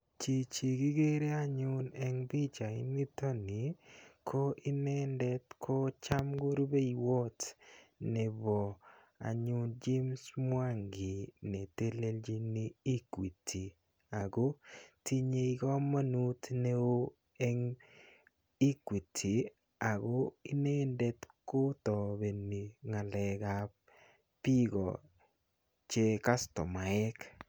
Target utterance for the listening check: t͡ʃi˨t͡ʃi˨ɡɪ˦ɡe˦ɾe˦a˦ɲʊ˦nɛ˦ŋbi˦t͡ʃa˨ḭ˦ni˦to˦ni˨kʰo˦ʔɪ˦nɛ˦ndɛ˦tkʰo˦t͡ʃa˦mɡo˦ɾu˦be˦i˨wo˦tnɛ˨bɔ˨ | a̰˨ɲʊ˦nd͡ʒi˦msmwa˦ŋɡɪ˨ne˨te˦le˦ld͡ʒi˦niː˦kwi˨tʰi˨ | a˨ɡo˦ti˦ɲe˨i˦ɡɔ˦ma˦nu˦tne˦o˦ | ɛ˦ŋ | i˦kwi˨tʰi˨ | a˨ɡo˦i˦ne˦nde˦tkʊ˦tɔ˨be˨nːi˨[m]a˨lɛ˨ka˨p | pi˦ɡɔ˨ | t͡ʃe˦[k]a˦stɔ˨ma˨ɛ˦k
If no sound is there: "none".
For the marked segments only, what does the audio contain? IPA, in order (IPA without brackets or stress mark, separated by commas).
ŋ, k